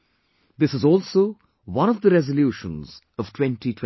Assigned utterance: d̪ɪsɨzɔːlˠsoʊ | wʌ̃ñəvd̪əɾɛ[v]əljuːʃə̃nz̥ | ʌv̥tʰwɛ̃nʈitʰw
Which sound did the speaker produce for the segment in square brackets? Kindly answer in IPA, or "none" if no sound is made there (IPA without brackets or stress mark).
z